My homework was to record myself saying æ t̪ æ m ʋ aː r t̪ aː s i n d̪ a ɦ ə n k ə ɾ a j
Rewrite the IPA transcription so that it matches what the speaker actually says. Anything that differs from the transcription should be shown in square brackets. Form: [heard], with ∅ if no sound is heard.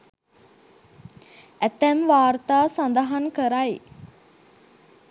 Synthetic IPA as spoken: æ t̪ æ m ʋ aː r t̪ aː s [a] n d̪ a ɦ [a] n k ə ɾ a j